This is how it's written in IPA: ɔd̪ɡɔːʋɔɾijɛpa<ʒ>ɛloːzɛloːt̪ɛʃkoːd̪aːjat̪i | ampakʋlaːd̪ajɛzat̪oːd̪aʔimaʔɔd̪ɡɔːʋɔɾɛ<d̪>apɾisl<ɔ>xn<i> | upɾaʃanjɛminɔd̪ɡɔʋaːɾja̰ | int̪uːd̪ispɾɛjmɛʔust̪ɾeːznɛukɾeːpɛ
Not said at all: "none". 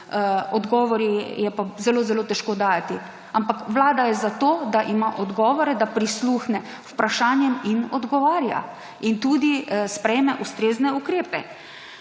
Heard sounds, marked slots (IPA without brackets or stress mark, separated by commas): z, d̪, u, ɛ